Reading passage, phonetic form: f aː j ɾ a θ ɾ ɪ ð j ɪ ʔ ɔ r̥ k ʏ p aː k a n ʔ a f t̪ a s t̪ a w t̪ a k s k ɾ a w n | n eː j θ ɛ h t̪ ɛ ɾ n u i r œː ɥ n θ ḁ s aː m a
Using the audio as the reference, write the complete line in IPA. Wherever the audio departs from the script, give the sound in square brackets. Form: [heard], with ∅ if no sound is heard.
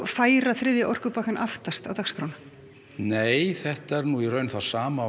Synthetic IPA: f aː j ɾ a θ ɾ ɪ ð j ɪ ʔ ɔ r̥ k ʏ p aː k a n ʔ a f t̪ a s t̪ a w t̪ a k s k ɾ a w n | n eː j θ ɛ h t̪ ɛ ɾ n u i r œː ɥ n θ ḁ s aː m a